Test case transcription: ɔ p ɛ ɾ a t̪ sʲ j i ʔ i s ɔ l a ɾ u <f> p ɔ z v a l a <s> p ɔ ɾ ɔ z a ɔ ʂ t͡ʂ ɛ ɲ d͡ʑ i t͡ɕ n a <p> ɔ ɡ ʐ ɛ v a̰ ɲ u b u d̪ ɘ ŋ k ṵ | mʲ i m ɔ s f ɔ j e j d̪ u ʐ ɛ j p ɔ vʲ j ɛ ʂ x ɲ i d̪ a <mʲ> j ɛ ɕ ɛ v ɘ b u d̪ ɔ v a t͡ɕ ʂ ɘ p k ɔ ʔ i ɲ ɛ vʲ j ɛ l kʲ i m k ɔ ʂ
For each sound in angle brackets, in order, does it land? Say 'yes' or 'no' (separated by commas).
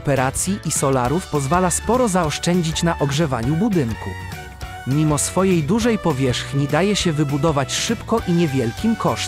yes, yes, no, no